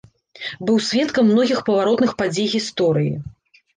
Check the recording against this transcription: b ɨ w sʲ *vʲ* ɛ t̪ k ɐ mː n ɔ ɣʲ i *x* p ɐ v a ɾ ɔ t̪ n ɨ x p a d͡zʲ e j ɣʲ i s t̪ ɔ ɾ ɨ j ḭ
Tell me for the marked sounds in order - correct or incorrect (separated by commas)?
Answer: correct, correct